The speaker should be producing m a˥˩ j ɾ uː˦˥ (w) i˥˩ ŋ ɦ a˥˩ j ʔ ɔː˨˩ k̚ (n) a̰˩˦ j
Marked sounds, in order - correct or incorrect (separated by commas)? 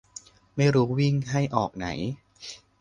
correct, correct